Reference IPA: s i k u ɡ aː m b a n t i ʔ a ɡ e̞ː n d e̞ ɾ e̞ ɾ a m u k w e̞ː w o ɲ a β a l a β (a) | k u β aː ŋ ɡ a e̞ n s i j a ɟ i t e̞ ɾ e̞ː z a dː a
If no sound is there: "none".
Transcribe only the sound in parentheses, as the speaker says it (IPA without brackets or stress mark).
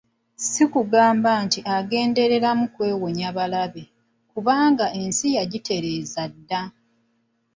e